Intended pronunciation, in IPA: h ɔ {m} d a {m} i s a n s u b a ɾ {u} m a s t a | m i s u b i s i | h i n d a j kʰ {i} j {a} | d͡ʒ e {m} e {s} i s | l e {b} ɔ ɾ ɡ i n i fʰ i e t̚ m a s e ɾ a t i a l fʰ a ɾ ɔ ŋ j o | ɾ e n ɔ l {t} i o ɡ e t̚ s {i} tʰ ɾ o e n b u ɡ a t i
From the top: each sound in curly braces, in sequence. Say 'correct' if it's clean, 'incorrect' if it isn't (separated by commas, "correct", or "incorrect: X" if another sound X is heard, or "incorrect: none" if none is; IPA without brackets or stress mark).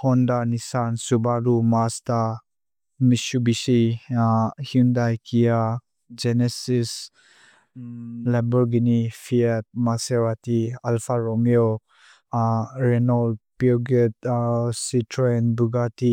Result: incorrect: n, incorrect: n, correct, correct, correct, incorrect: n, correct, correct, incorrect: p, correct